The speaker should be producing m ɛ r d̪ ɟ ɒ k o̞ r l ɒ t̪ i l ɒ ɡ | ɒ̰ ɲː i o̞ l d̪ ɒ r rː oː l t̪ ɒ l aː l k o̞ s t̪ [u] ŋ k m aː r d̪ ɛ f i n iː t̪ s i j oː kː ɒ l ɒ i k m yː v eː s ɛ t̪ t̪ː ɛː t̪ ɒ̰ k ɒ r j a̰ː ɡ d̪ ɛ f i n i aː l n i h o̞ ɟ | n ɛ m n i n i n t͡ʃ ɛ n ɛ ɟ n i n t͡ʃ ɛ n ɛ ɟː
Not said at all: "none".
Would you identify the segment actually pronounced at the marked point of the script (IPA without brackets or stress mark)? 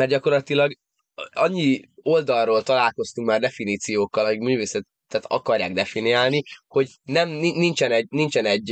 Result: u